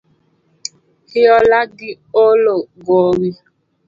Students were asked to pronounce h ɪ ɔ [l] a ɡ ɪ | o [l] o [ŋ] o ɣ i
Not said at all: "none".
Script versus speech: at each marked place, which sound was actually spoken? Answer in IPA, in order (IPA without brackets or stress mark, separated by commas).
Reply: l, l, ɡ